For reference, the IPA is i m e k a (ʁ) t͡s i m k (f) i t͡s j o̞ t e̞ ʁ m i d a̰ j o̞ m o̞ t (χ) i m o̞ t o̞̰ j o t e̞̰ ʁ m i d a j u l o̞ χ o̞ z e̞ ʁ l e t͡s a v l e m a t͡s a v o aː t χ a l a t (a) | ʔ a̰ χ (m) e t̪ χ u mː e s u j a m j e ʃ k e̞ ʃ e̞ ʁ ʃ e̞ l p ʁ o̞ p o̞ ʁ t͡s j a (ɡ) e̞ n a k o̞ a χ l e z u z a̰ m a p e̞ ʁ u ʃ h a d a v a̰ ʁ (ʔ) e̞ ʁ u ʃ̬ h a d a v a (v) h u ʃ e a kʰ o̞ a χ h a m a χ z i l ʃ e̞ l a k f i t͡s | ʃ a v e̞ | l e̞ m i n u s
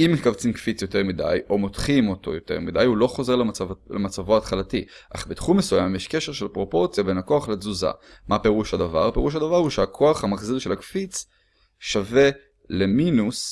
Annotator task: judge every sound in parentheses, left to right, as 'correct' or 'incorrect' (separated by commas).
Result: incorrect, correct, correct, incorrect, incorrect, incorrect, incorrect, incorrect